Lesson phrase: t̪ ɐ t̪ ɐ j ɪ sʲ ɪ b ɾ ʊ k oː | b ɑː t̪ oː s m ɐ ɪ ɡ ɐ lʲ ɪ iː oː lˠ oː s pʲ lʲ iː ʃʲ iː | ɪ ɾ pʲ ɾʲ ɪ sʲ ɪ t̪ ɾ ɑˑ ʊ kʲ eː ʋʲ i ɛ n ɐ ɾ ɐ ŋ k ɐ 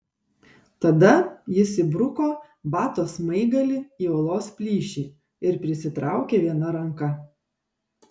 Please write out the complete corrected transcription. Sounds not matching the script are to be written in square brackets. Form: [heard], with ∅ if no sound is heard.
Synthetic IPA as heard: t̪ ɐ [d̪] ɐ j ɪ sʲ ɪ b ɾ ʊ k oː | b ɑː t̪ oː s m ɐ ɪ ɡ ɐ lʲ ɪ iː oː lˠ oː s pʲ lʲ iː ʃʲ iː | ɪ ɾ pʲ ɾʲ ɪ sʲ ɪ t̪ ɾ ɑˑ ʊ kʲ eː ʋʲ i ɛ n ɐ ɾ ɐ ŋ k ɐ